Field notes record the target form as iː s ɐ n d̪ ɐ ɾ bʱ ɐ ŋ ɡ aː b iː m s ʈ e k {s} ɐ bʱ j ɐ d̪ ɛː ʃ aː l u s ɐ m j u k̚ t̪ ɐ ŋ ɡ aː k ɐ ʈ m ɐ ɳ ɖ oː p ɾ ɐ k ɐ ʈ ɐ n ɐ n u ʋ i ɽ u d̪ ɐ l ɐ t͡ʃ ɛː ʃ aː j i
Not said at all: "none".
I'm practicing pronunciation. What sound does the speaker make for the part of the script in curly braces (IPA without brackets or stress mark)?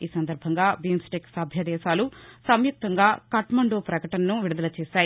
s